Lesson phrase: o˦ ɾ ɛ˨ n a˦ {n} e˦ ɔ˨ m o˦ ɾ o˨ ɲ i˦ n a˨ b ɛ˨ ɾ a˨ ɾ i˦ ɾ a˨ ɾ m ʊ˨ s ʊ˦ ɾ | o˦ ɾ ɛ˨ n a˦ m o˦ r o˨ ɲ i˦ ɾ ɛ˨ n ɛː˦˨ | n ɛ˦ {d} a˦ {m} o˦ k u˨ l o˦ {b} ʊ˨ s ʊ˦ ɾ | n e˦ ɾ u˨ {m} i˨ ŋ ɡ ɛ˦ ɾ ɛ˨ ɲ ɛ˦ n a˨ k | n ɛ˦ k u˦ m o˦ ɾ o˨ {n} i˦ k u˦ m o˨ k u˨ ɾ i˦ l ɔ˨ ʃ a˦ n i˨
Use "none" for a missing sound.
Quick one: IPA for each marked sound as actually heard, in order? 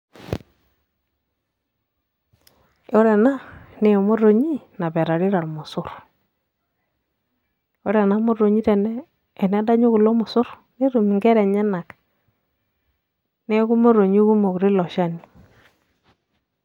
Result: n, d, ɲ, m, m, ɲ

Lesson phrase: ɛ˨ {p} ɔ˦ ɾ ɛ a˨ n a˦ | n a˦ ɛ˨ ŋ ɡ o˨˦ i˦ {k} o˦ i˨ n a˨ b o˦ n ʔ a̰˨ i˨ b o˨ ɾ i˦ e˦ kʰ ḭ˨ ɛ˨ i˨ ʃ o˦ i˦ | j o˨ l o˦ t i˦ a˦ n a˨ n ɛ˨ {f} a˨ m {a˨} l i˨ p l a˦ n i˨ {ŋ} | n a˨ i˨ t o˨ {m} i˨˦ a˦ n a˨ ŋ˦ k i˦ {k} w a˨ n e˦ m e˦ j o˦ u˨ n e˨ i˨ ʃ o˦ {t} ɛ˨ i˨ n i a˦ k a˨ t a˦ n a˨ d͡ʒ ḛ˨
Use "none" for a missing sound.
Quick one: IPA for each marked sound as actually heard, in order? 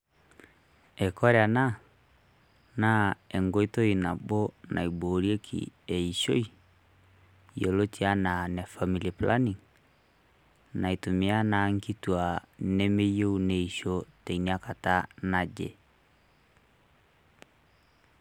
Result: k, t, f, i˨, ŋ, m, t, t

